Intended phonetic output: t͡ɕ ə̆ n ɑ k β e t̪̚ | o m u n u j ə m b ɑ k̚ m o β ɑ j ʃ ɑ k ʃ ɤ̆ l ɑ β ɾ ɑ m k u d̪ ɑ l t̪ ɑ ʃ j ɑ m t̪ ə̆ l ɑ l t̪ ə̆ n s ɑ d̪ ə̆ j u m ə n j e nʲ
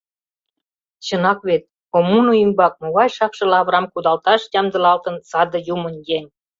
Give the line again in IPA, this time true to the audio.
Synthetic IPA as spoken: t͡ɕ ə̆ n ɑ k β e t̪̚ | o m u n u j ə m b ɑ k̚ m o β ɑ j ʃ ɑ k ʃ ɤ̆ l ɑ β ɾ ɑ m k u d̪ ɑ l t̪ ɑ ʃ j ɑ m d̪ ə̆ l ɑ l t̪ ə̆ n s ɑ d̪ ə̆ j u m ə n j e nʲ